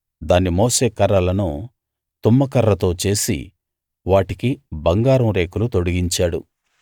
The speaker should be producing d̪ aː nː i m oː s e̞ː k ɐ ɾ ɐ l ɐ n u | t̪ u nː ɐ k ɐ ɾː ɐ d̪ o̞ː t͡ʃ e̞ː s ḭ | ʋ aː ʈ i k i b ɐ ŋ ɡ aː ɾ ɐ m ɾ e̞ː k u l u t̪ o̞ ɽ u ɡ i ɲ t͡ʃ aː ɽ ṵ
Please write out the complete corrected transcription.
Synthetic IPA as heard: d̪ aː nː i m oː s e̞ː k ɐ ɾ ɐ l ɐ n u | t̪ u mː ɐ k ɐ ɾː ɐ t̪ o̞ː t͡ʃ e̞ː s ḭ | ʋ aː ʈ i k i b ɐ ŋ ɡ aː ɾ ɐ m ɾ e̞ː k u l u t̪ o̞ ɽ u ɡ i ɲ t͡ʃ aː ɽ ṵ

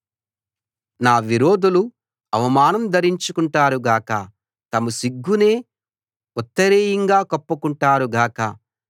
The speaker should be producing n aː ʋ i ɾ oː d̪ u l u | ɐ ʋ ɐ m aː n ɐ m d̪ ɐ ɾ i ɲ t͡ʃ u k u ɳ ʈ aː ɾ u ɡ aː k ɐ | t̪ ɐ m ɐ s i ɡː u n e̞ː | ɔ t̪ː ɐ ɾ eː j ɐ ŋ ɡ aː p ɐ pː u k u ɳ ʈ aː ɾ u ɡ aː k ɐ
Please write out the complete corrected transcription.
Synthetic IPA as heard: n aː ʋ i ɾ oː d̪ u l u | ɐ ʋ ɐ m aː n ɐ m d̪ ɐ ɾ i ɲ t͡ʃ u k u ɳ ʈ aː ɾ u ɡ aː k ɐ | t̪ ɐ m ɐ s i ɡː u n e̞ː | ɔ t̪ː ɐ ɾ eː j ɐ ŋ ɡ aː k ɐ pː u k u ɳ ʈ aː ɾ u ɡ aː k ɐ

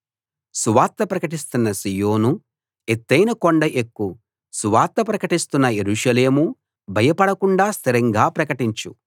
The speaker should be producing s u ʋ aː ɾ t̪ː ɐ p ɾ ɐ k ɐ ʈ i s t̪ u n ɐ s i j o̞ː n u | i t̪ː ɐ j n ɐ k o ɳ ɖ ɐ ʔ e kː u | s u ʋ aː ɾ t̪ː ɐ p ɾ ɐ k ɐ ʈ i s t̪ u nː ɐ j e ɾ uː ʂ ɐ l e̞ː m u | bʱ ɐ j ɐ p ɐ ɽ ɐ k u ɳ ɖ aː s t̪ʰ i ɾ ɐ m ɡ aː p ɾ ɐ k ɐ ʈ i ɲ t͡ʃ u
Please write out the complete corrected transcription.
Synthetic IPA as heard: s u ʋ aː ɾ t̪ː ɐ p ɾ ɐ k ɐ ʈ i s t̪ u nː ɐ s i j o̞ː n u | e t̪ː ɐ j n ɐ k o ɳ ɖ ɐ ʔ e kː u | s u ʋ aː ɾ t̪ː ɐ p ɾ ɐ k ɐ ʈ i s t̪ u nː ɐ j e ɾ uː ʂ ɐ l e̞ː m u | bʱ ɐ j ɐ p ɐ ɽ ɐ k u ɳ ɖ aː s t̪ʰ i ɾ ɐ ŋ ɡ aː p ɾ ɐ k ɐ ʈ i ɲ t͡ʃ u

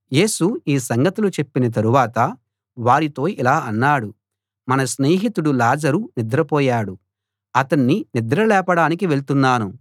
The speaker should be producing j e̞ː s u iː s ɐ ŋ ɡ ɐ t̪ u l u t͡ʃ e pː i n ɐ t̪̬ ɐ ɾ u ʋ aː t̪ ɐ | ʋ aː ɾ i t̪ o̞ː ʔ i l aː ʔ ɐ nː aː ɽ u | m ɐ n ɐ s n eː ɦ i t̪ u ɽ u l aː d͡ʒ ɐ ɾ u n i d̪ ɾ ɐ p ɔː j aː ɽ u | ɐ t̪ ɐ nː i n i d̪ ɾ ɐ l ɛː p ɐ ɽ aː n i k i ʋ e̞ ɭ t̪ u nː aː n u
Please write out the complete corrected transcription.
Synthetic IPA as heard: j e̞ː s u iː s ɐ ŋ ɡ ɐ t̪ u l u t͡ʃ e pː i n ɐ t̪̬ ɐ ɾ u ʋ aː t̪ ɐ | ʋ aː ɾ i t̪ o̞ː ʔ i l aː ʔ ɐ nː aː ɽ u | m ɐ n ɐ s n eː ɦ i t̪ u ɽ u l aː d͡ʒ ɐ ɾ u n i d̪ ɾ ɐ p ɔː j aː ɽ u | ɐ t̪ ɐ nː i n i d̪ ɾ ɐ l ɛː p ɐ ɽ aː n i k i ʋ e̞ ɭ t̪ u nː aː n u

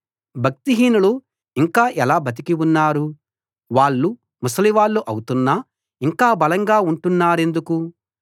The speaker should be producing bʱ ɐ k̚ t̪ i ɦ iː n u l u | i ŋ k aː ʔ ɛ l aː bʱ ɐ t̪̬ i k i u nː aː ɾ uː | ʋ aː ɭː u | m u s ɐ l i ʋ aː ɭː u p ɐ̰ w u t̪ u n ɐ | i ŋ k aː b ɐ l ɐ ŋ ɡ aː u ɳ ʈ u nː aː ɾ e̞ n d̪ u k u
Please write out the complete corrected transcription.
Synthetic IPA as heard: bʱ ɐ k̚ t̪ i ɦ iː n u l u | i ŋ k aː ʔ ɛ l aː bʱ ɐ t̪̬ i k i u nː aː ɾ u | ʋ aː ɭː u | m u s ɐ l i ʋ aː ɭː u ʔ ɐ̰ w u t̪ u nː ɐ | i ŋ k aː b ɐ l ɐ ŋ ɡ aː u ɳ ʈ u nː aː ɾ e̞ n d̪ u k u

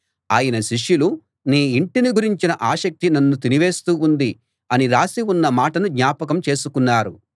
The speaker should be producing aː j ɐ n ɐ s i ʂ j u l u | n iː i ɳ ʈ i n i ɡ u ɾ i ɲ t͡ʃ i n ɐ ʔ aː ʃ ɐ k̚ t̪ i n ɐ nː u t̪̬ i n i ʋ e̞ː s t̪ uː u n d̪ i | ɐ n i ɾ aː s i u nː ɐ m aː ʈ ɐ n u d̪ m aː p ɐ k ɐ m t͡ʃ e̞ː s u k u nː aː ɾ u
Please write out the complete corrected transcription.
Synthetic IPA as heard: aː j ɐ n ɐ ʃ i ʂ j u l u | n iː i ɳ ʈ i n i ɡ u ɾ i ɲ t͡ʃ i n ɐ ʔ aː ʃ ɐ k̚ t̪ i n ɐ nː u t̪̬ i n i ʋ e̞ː s t̪ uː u n d̪ i | ɐ n i ɾ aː s i u nː ɐ m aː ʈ ɐ n u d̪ ɲ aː p ɐ k ɐ m t͡ʃ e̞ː s u k u nː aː ɾ u

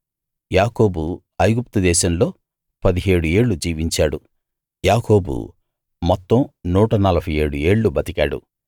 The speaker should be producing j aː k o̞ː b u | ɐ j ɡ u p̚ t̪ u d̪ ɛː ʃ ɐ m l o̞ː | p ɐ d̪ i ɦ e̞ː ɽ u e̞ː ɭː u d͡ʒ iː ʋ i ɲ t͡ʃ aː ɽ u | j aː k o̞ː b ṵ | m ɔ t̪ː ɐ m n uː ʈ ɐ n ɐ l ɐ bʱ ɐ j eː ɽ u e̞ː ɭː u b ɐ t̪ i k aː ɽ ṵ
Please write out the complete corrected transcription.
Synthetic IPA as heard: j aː k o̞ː b u | ɐ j ɡ u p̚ t̪ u d̪ ɛː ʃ ɐ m l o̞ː | p ɐ d̪ i ɦ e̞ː ɽ u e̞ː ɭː u d͡ʒ iː ʋ i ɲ t͡ʃ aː ɽ u | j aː k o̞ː b ṵ | m ɔ t̪ː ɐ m n uː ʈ ɐ n ɐ l ɐ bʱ ɐ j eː ɽ u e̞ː ɭː u b ɐ t̪ i k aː ɽ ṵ

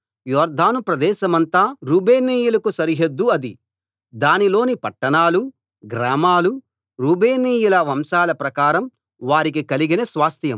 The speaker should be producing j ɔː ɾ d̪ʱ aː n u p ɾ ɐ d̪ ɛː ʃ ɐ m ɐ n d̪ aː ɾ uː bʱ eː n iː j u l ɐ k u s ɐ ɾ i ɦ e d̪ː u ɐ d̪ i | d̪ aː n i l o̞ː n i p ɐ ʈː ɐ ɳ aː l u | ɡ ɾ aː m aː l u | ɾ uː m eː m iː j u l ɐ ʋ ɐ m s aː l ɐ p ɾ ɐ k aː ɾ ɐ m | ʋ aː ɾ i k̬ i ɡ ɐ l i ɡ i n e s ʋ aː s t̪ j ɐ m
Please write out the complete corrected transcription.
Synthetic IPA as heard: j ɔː ɾ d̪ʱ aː n u p ɾ ɐ d̪ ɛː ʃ ɐ m ɐ n t̪ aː ɾ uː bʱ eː n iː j u l ɐ k u s ɐ ɾ i ɦ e d̪ː u ɐ d̪ i | d̪ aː n i l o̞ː n i p ɐ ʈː ɐ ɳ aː l u | ɡ ɾ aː m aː l u | ɾ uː b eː n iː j u l ɐ ʋ ɐ m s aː l ɐ p ɾ ɐ k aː ɾ ɐ m | ʋ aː ɾ i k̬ i k ɐ l i ɡ i n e s ʋ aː s t̪ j ɐ m

